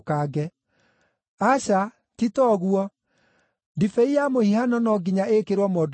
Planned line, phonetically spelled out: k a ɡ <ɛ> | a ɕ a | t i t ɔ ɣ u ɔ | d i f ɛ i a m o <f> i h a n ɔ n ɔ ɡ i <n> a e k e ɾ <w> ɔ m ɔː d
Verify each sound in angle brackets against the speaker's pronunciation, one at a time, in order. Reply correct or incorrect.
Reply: correct, incorrect: h, incorrect: ɲ, correct

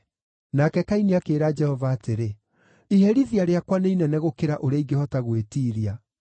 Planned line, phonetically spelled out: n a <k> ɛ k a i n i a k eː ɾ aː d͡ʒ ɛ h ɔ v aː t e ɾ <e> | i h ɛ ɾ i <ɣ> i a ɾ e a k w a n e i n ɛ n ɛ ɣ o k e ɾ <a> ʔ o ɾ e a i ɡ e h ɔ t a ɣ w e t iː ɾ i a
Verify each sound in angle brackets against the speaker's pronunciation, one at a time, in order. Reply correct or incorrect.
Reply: correct, correct, incorrect: ð, correct

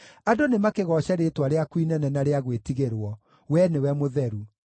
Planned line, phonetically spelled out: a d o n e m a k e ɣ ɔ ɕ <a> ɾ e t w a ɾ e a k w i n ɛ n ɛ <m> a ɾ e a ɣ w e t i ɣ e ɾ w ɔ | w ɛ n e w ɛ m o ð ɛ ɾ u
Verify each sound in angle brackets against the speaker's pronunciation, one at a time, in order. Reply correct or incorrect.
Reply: incorrect: ɛ, incorrect: n

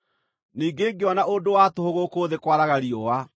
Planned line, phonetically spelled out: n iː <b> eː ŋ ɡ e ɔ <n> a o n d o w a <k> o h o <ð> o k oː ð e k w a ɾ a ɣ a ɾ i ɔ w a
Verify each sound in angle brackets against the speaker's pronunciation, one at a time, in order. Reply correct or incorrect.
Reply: incorrect: ɡ, correct, incorrect: t, incorrect: ɣ

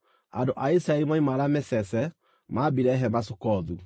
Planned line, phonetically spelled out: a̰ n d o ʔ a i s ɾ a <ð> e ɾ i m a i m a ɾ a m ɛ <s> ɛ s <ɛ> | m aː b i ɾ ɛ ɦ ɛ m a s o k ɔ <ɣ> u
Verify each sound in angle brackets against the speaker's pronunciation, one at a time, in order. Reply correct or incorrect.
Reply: incorrect: none, correct, correct, incorrect: ð

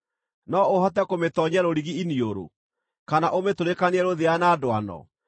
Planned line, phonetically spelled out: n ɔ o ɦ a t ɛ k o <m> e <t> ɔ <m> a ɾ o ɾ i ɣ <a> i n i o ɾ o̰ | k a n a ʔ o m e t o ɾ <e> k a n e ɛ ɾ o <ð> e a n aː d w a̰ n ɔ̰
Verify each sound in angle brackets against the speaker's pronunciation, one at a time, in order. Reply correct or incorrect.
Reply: correct, correct, incorrect: ɲ, incorrect: i, correct, correct

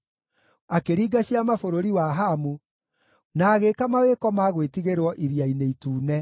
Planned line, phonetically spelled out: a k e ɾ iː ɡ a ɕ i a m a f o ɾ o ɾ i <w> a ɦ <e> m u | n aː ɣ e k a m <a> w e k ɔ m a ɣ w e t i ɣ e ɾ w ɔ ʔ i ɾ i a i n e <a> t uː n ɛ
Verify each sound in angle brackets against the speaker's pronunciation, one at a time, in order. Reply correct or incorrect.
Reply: correct, incorrect: a, correct, incorrect: i

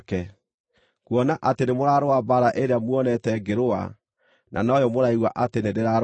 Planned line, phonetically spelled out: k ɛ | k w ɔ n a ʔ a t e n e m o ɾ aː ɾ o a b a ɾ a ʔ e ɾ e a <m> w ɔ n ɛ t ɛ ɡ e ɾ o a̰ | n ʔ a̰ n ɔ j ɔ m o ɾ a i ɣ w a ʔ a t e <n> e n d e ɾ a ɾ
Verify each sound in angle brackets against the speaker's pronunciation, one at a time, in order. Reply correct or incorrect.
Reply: correct, correct

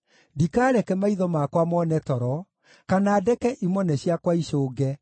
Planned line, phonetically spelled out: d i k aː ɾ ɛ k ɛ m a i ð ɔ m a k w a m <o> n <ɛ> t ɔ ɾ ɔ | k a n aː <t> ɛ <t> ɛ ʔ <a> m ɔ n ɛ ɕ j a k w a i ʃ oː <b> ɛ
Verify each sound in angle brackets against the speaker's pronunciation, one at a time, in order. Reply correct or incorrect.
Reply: incorrect: ɔ, correct, incorrect: d, incorrect: k, incorrect: i, incorrect: ɡ

